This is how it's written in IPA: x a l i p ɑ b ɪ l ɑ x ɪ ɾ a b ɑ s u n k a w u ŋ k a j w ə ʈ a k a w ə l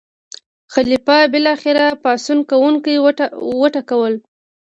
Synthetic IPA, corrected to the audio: x a l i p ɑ b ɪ l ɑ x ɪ ɾ a p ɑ s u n k a w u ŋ k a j w ə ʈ a k a w ə l